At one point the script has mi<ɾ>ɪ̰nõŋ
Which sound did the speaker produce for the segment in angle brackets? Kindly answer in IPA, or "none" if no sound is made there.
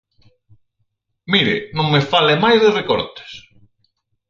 ɾ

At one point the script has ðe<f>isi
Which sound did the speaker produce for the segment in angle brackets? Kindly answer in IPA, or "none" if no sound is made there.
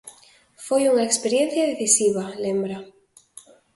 θ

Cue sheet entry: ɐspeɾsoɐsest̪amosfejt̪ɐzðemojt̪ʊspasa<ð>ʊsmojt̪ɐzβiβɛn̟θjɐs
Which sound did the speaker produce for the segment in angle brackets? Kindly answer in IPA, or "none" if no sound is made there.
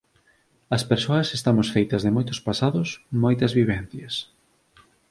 ð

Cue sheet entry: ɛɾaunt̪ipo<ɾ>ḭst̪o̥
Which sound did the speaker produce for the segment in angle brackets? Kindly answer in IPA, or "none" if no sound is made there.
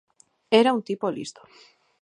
l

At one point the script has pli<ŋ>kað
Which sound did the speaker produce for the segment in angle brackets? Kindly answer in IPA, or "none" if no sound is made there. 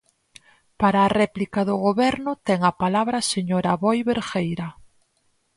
none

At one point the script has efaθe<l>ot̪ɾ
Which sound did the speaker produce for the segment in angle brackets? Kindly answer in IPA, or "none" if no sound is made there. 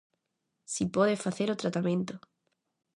ɾ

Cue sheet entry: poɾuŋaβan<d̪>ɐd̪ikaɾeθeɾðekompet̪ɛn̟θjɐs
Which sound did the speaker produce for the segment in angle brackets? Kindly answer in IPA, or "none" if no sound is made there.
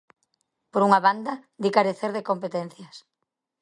d̪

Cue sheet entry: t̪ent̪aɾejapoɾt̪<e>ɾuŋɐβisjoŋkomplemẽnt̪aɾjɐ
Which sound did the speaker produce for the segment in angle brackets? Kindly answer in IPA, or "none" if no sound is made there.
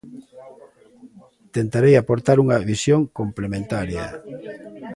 a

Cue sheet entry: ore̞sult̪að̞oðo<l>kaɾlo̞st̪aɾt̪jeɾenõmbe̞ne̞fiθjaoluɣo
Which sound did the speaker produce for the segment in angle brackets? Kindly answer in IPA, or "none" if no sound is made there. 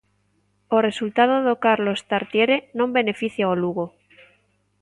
none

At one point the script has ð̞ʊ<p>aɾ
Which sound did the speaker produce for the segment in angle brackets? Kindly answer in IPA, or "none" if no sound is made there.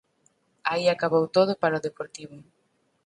p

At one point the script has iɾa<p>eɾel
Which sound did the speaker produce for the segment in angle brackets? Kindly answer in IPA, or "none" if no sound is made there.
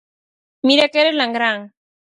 k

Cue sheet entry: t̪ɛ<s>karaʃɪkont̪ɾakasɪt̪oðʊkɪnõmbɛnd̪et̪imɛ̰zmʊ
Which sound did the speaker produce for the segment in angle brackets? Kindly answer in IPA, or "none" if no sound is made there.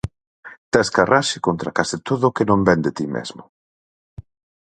s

